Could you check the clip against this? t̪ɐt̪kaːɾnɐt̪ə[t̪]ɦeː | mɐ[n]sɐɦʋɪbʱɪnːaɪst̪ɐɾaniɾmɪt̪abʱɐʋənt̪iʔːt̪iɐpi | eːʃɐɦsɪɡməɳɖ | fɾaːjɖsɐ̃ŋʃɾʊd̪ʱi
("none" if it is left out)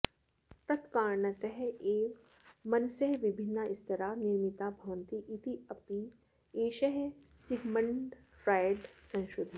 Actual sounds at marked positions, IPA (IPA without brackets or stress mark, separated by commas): none, n